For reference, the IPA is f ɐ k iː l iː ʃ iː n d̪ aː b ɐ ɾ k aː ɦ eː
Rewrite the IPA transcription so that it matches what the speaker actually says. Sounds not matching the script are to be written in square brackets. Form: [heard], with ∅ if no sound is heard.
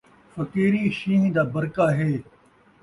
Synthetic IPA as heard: f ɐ k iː [ɾ] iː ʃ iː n d̪ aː b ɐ ɾ k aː ɦ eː